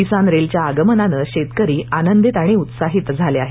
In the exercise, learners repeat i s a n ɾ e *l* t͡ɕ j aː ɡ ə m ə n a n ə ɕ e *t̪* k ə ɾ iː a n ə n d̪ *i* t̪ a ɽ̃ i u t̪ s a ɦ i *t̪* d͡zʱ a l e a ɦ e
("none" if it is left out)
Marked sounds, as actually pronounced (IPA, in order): l, t̪, i, t̪

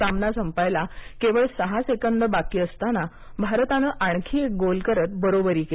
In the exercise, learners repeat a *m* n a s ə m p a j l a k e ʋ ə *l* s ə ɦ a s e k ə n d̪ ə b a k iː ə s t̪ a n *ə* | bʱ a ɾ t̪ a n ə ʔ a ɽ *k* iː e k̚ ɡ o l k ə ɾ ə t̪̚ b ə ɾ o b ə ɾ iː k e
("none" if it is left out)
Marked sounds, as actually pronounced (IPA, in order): m, ɭ, a, kʰ

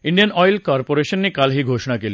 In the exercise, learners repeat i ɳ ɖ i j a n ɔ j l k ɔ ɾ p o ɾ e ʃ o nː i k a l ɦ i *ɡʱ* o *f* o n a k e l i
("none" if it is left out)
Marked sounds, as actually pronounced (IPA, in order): ɡʱ, ʃ

